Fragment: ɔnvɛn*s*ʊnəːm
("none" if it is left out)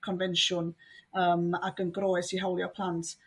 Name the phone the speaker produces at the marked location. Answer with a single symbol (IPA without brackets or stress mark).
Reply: ʃ